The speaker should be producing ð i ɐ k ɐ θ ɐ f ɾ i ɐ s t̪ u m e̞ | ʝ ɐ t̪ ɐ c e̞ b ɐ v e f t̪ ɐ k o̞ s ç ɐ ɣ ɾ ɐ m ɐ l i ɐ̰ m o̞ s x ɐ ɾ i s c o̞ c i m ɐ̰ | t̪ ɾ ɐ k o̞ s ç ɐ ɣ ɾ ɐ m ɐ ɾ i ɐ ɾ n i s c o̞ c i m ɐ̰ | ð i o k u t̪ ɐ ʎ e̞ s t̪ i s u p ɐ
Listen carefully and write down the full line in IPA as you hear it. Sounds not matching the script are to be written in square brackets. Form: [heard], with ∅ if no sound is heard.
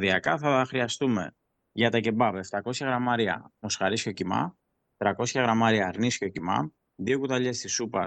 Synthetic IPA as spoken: ð i ɐ k ɐ θ ɐ [x] ɾ i ɐ s t̪ u m e̞ | ʝ ɐ t̪ ɐ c e̞ b ɐ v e f t̪ ɐ k o̞ s ç ɐ ɣ ɾ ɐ m ɐ [ɾ] i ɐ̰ m o̞ s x ɐ ɾ i s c o̞ c i m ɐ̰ | t̪ ɾ ɐ k o̞ s ç ɐ ɣ ɾ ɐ m ɐ ɾ i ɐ ɾ n i s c o̞ c i m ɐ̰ | ð i o k u t̪ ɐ ʎ e̞ s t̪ i s u p ɐ